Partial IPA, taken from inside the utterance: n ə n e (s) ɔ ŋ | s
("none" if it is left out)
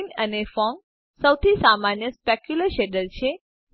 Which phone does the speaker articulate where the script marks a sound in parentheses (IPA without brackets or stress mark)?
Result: f